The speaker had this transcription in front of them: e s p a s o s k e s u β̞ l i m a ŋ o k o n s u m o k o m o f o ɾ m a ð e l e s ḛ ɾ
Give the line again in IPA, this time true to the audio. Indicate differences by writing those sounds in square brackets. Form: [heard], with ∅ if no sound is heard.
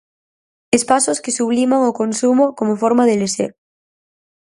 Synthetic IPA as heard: e s p a s o s k e s u β̞ l i m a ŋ o k o n s u m o k o m o f o ɾ m a ð e l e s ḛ ɾ